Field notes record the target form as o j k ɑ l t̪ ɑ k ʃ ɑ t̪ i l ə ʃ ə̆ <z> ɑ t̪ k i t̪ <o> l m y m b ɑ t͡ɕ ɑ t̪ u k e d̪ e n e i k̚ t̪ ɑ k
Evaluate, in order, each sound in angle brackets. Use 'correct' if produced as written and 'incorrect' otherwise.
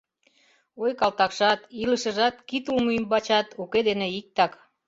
incorrect: ʒ, incorrect: u

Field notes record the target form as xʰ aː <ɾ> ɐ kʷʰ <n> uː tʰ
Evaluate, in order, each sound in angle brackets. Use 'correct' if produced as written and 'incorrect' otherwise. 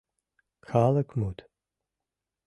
incorrect: l, incorrect: m

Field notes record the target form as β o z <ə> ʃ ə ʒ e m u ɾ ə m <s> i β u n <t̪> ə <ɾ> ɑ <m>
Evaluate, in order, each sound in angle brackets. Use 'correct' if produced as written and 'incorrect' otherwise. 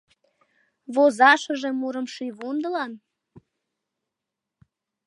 incorrect: ɑ, incorrect: ʃ, incorrect: d̪, incorrect: l, incorrect: n

